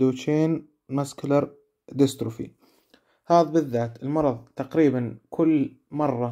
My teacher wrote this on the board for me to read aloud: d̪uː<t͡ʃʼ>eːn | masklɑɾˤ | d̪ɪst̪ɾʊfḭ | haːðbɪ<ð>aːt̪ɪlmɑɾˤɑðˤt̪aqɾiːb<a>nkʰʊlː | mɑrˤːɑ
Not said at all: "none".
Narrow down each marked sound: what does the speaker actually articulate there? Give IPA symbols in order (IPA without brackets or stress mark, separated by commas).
t͡ʃ, ðː, a